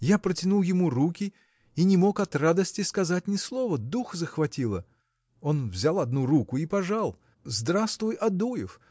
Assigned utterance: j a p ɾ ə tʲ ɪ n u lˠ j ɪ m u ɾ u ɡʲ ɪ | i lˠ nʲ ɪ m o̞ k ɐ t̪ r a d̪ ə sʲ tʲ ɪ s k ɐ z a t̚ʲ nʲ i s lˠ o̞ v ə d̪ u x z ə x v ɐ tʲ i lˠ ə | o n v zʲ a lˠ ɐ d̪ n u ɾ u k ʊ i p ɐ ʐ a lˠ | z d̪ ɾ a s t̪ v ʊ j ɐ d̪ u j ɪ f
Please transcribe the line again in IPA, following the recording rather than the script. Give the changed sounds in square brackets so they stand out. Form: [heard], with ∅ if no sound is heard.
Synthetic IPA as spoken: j a p ɾ ə tʲ ɪ n u lˠ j ɪ m u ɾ u [kʲ] ɪ | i [∅] nʲ ɪ m o̞ k ɐ t̪ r a d̪ ə sʲ tʲ ɪ s k ɐ z a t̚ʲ nʲ [ɪ] s lˠ o̞ v ə d̪ u x z ə x v ɐ tʲ i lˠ ə | o n v zʲ a lˠ ɐ d̪ n u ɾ u k ʊ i p ɐ ʐ a lˠ | z d̪ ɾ a s t̪ v ʊ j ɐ d̪ u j ɪ f